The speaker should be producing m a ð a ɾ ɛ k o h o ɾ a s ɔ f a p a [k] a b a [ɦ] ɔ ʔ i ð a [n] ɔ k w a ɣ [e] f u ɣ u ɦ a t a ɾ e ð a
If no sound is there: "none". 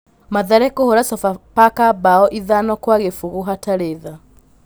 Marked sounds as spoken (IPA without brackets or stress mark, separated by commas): k, none, n, e